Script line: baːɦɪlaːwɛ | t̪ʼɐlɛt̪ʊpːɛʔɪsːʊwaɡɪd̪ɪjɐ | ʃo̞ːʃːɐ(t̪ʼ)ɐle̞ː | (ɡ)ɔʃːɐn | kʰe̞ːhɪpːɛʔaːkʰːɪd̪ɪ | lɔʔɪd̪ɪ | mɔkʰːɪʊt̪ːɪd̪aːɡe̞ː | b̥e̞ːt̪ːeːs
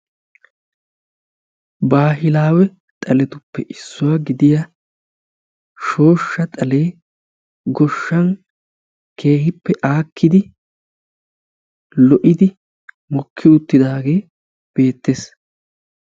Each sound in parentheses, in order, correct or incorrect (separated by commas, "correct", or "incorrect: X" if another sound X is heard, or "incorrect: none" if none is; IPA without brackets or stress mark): correct, correct